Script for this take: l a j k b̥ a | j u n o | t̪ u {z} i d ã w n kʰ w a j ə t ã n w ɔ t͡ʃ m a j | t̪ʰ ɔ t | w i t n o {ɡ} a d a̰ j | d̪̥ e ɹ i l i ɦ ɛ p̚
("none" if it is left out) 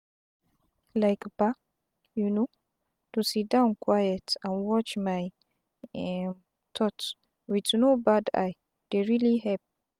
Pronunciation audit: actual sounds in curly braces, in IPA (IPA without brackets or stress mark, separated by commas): s, b